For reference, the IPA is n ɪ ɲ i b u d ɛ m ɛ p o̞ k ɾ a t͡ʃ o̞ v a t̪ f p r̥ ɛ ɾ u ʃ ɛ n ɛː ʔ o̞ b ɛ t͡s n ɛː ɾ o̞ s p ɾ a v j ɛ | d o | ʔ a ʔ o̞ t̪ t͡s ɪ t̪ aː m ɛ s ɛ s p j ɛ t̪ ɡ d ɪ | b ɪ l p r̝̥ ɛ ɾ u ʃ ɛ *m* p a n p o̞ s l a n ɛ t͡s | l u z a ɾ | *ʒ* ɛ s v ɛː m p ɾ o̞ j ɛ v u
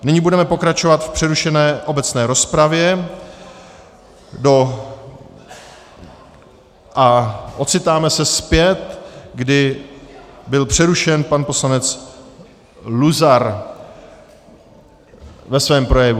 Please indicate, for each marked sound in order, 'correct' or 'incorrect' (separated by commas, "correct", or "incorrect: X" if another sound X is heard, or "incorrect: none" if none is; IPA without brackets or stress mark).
incorrect: n, incorrect: v